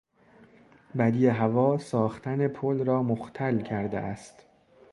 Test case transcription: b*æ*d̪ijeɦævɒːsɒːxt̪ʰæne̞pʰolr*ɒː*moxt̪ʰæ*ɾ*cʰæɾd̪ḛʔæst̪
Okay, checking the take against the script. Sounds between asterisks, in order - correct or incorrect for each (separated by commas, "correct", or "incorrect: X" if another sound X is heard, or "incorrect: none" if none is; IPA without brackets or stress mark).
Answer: correct, correct, incorrect: l